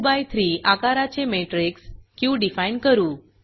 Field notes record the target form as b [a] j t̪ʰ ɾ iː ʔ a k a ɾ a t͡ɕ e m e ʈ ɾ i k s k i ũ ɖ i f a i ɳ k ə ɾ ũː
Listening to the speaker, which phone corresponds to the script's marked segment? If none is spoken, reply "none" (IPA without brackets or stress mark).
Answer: a